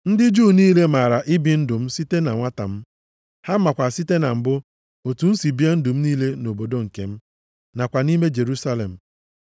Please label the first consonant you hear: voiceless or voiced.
voiced